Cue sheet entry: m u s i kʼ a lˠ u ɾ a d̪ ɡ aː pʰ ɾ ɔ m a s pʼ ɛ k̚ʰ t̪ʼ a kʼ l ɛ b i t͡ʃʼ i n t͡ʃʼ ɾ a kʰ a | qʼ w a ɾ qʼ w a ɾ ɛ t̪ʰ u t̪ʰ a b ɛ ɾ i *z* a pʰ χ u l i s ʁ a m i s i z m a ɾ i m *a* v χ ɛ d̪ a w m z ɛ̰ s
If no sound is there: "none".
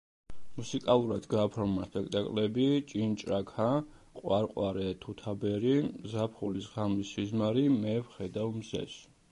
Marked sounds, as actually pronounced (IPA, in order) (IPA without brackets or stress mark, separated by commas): z, ɛ